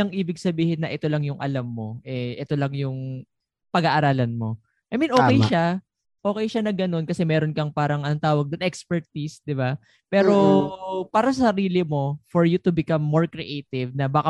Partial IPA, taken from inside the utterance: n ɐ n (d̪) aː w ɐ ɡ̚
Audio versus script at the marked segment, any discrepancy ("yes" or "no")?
yes